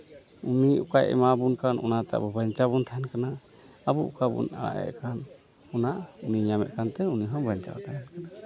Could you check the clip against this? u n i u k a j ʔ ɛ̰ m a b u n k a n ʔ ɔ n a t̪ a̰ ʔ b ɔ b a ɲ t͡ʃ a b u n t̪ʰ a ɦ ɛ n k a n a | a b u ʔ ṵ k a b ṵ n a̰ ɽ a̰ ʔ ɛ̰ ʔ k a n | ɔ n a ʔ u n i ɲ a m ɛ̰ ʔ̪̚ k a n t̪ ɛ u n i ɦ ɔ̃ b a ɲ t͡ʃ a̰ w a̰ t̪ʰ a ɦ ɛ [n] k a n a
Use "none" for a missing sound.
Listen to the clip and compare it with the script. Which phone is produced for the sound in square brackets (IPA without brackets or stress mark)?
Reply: n